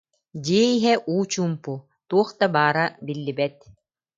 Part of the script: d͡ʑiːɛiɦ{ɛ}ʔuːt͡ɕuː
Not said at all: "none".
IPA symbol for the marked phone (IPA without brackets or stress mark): ɛ